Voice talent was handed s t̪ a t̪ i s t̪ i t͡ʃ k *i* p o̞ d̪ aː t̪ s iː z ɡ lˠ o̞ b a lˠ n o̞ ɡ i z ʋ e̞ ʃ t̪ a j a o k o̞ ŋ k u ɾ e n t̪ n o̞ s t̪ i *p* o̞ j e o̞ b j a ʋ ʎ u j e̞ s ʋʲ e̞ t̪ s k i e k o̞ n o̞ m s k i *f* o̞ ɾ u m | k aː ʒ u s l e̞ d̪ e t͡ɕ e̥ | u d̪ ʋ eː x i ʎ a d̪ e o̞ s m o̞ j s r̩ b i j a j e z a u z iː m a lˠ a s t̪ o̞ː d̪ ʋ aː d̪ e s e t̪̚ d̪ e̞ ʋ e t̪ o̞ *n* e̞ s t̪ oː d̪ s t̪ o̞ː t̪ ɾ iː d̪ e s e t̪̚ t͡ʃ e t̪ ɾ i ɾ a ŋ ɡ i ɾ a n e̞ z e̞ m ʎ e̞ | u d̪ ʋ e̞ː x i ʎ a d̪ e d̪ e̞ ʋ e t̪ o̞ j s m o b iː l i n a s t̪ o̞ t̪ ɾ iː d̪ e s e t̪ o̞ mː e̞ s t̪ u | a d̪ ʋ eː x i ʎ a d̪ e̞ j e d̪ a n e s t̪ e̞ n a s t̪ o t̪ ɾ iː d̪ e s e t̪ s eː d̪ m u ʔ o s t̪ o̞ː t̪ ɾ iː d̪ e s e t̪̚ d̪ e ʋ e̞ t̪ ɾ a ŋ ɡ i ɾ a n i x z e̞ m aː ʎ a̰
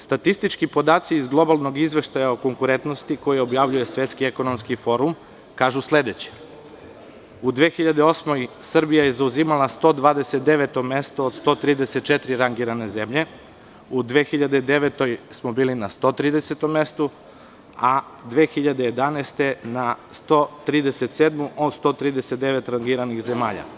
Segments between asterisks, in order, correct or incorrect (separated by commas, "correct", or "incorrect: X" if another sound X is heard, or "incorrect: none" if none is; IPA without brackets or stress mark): correct, incorrect: k, correct, incorrect: m